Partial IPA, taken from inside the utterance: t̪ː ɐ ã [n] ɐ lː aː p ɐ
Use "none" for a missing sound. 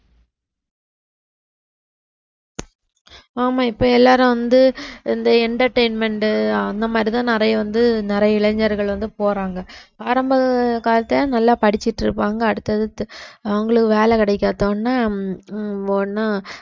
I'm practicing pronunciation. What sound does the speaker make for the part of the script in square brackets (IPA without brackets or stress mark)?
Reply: n